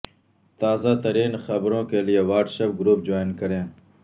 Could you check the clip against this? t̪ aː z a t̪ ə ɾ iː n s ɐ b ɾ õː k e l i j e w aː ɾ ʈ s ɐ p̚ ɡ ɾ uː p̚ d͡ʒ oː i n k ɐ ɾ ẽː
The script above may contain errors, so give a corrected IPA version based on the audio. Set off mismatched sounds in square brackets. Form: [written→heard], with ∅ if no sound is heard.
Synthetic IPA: t̪ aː z a t̪ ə ɾ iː n [s→x] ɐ b ɾ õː k e l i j e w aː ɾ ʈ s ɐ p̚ ɡ ɾ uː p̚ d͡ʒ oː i n k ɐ ɾ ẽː